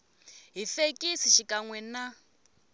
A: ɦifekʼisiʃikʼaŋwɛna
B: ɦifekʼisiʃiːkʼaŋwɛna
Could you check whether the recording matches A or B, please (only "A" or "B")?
A